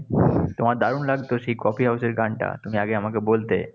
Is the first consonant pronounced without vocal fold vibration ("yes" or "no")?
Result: yes